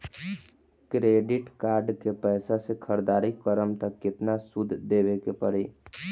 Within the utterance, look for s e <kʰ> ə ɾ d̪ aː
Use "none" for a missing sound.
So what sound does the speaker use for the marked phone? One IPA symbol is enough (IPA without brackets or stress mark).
kʰ